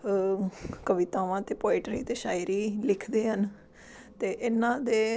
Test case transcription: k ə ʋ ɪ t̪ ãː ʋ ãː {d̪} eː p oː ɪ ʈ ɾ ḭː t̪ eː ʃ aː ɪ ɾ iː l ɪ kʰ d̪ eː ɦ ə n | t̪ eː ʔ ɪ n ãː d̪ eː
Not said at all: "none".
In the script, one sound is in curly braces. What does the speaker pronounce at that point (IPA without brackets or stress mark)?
t̪